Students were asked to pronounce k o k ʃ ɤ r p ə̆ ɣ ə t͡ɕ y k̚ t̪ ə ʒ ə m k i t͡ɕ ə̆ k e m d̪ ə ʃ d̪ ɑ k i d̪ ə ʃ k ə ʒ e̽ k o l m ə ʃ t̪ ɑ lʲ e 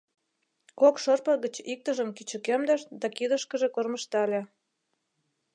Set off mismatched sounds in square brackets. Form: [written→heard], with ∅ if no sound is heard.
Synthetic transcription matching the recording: k o k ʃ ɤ r p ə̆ ɣ ə t͡ɕ [y→i] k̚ t̪ ə ʒ ə m k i t͡ɕ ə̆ k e m d̪ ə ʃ d̪ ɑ k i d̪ ə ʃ k ə ʒ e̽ k o [l→r] m ə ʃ t̪ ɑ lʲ e